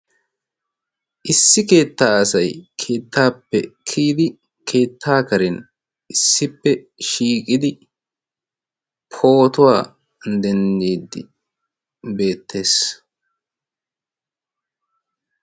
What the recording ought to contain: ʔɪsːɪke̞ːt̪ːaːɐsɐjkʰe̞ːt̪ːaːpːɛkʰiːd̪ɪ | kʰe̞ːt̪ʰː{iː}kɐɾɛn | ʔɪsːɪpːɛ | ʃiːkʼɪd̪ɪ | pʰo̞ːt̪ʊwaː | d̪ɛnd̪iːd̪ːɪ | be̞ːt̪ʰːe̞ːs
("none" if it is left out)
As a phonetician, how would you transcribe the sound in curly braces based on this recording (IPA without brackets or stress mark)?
aː